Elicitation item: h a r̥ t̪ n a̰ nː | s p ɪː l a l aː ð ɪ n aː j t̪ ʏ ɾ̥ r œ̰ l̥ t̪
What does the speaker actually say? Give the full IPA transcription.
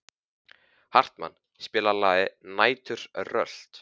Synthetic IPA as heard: h a r̥ t̪ m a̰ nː | s p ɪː l a l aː ð ɪ n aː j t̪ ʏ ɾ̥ r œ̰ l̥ t̪

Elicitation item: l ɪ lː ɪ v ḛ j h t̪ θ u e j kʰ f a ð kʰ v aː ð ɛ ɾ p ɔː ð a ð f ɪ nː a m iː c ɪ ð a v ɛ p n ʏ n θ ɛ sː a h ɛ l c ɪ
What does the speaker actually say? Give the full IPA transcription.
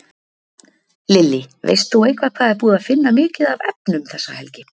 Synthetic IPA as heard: l ɪ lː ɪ v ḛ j s t̪ θ u e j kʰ v a ð kʰ v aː ð ɛ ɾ p uː ð a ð f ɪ nː a m ɪː c ɪ ð a v ɛ p n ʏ m θ ɛ sː a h ɛ l c ɪ

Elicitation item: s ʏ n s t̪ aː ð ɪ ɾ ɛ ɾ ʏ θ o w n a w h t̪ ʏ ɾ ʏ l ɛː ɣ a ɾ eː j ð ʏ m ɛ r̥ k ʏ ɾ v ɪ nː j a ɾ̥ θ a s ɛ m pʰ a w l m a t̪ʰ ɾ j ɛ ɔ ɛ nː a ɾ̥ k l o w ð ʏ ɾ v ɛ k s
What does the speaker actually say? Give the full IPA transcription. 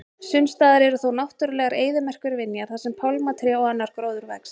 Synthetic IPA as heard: s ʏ n s t̪ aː ð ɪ ɾ ɛ ɾ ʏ θ o w n a w h t̪ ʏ ɾ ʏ l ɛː ɣ a ɾ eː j ð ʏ m ɛ r̥ k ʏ ɾ v ɪ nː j a ɾ̥ θ a s ɛ m pʰ a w l m a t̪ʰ ɾ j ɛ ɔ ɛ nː a ɾ̥ k ɾ o w ð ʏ ɾ v ɛ k s

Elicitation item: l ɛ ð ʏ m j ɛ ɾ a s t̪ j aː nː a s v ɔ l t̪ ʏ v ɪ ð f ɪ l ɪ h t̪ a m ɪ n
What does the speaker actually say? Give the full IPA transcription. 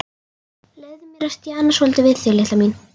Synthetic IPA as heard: l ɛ ð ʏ m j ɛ ɾ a s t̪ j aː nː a s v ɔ l t̪ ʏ v ɪ ð θ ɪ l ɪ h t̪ a m i n

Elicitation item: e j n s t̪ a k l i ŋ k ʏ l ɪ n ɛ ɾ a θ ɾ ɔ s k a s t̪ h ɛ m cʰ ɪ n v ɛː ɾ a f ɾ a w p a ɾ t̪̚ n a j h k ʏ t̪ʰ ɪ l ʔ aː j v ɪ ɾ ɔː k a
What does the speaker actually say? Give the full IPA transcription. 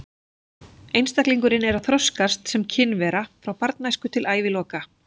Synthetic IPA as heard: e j n s t̪ a k l i ŋ k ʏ ɾ ɪ n ɛ ɾ a θ ɾ ɔ s k a s t̪ s ɛ m cʰ ɪ n v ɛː ɾ a f ɾ a w p a ɾ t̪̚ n a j s k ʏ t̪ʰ ɪ l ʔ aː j v ɪ l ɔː k a

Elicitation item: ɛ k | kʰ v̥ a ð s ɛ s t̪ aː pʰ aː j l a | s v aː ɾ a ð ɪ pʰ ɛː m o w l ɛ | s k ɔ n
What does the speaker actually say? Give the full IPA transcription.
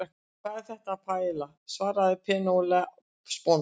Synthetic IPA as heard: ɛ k | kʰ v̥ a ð θ ɛ h t̪ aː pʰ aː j l a | s v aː ɾ a ð ɪ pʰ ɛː n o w l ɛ | s p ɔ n

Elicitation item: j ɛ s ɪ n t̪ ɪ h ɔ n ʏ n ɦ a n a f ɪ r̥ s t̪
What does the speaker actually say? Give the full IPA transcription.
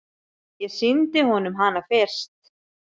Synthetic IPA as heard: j ɛ s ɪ n t̪ ɪ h ɔ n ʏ m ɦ a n a f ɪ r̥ s t̪

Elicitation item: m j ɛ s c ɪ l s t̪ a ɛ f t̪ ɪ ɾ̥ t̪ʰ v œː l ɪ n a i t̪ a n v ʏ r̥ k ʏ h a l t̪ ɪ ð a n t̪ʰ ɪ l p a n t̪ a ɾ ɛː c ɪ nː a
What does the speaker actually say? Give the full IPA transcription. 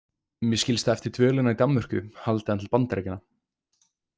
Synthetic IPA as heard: m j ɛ s c ɪ l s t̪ a ɛ f t̪ ɪ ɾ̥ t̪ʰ v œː l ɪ n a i t̪ a m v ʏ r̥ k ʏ h a l t̪ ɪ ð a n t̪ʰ ɪ l p a n t̪ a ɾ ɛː c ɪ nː a

